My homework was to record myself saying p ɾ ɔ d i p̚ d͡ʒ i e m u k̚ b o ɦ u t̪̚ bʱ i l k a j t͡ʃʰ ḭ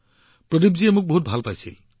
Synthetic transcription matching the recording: p ɾ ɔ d i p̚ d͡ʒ i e m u k̚ b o ɦ u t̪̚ bʱ a l p a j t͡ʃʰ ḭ